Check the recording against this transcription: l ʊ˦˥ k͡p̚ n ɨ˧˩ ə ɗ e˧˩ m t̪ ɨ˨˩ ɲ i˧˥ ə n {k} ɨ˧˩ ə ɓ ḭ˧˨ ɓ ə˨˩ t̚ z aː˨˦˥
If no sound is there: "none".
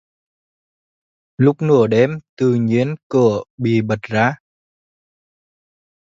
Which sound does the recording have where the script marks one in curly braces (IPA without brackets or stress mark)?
k